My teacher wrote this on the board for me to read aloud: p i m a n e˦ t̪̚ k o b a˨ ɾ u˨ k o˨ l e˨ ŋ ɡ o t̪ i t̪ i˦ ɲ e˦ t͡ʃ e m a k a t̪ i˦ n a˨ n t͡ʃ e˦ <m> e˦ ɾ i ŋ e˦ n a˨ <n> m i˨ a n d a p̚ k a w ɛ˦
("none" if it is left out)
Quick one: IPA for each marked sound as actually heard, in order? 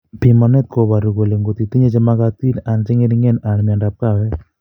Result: ŋ, n

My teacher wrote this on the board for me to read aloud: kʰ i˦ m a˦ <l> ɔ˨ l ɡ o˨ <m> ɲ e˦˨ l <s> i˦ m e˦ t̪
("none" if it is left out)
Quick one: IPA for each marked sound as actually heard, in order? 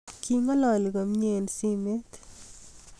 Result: l, m, s

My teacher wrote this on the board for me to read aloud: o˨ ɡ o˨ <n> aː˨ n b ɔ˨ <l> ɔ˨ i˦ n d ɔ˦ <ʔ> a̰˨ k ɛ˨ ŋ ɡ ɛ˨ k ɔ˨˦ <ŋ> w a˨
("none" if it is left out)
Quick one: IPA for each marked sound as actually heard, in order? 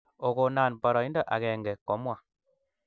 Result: n, ɾ, ʔ, m

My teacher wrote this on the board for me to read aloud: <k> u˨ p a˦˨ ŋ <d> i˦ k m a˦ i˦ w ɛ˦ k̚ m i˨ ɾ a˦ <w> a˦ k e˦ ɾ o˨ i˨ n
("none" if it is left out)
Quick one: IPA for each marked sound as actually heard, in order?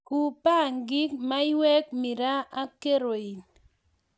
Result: k, ɡ, none

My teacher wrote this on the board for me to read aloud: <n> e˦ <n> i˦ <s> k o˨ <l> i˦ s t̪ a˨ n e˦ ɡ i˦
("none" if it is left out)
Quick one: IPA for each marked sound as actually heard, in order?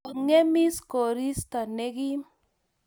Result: ŋ, m, s, ɾ

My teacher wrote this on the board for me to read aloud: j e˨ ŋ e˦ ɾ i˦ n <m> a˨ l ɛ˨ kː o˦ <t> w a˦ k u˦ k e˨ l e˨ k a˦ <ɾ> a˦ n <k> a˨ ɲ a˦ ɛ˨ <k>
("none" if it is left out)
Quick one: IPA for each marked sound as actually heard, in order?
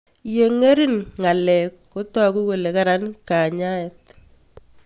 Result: ŋ, t, ɾ, k, t

